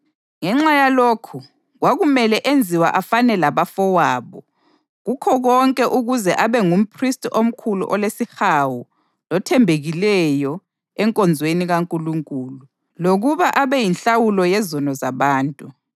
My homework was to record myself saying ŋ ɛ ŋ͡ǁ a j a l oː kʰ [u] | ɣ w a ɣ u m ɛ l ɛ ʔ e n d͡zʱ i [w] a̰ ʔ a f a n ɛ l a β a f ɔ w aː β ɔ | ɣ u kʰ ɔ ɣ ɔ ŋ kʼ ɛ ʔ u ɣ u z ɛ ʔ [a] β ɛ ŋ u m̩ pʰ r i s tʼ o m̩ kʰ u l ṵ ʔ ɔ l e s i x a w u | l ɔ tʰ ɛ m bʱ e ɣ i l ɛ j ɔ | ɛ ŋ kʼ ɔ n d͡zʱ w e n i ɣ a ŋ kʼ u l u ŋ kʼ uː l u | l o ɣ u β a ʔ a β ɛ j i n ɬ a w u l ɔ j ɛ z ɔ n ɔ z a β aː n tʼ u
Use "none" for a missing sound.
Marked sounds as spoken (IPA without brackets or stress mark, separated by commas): u, w, a